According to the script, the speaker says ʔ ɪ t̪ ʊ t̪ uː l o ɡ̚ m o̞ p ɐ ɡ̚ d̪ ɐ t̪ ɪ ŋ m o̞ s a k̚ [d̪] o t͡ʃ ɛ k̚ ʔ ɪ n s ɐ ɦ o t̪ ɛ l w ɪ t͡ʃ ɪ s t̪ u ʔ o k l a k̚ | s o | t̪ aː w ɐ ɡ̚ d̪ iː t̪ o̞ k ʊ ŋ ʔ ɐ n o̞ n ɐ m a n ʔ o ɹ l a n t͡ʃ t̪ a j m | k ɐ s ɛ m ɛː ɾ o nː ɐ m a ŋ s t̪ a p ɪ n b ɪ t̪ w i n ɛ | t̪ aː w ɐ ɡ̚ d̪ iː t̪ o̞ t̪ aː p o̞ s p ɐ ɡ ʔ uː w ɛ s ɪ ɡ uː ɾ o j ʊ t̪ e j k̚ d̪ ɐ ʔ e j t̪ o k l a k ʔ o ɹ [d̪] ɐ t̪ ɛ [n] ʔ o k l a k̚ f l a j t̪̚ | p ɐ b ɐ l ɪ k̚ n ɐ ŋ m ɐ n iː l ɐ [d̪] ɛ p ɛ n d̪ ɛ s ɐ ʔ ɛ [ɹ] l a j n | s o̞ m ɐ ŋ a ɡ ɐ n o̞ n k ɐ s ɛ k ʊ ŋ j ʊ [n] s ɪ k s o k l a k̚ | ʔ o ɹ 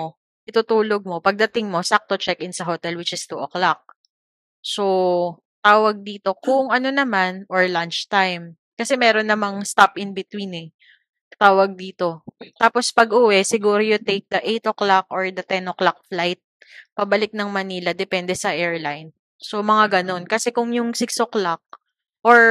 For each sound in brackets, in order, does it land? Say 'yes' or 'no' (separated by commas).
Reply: no, yes, yes, yes, yes, no